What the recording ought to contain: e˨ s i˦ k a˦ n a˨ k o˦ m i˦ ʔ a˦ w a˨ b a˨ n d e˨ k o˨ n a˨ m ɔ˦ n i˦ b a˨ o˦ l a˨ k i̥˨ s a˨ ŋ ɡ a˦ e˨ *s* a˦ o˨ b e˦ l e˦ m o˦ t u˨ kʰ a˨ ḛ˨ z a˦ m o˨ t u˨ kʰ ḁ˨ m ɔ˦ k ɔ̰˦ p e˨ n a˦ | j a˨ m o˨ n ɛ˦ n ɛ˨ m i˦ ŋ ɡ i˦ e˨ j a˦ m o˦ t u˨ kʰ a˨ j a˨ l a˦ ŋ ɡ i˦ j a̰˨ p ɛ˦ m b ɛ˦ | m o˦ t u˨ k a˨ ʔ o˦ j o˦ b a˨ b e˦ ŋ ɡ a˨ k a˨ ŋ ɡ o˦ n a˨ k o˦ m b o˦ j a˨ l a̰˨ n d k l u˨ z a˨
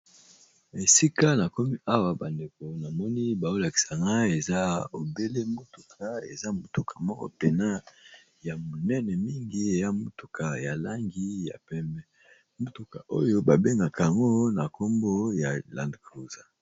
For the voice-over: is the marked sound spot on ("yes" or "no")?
no